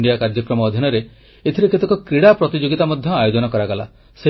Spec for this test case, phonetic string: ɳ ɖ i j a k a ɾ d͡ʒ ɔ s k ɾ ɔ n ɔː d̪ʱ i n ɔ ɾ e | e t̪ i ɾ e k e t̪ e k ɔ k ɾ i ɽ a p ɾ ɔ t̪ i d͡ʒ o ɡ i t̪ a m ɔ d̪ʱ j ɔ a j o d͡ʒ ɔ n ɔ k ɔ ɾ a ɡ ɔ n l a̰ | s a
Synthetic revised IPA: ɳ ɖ i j a k a ɾ d͡ʒ ɔ k ɾ ɔ m ɔː d̪ʱ i n ɔ ɾ e | e t̪ʰ i ɾ e k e t̪ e k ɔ k ɾ i ɽ a p ɾ ɔ t̪ i d͡ʒ o ɡ i t̪ a m ɔ d̪ʱ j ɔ a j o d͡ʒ ɔ n ɔ k ɔ ɾ a ɡ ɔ l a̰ | s e